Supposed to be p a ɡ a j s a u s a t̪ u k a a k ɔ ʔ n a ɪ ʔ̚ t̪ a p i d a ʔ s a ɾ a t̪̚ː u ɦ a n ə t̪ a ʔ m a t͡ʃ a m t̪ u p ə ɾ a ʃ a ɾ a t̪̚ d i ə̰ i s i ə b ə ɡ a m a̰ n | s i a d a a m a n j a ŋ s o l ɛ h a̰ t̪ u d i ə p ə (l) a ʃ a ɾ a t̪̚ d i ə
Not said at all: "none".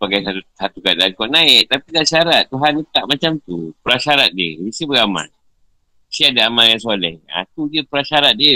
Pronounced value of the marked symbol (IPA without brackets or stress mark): ɾ